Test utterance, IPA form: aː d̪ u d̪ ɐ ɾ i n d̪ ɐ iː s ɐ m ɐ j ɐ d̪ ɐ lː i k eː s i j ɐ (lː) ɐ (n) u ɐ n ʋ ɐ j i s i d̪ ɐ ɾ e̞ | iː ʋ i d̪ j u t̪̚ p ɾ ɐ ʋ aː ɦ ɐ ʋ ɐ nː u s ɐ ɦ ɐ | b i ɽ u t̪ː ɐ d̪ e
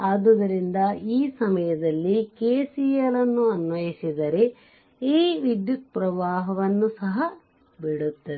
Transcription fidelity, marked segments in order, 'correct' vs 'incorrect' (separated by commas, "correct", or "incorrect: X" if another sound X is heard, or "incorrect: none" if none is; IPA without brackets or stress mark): incorrect: l, incorrect: nː